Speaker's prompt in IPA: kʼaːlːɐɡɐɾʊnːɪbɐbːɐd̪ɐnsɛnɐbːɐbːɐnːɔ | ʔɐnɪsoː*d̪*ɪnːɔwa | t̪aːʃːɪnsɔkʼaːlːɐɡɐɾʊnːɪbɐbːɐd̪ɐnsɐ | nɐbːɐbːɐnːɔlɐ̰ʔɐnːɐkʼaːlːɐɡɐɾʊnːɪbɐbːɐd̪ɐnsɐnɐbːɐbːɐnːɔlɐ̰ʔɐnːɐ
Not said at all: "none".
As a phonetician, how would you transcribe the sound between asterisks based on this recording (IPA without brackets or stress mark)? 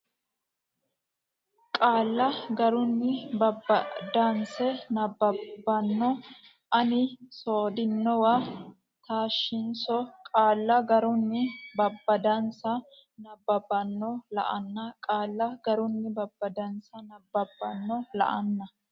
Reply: d̪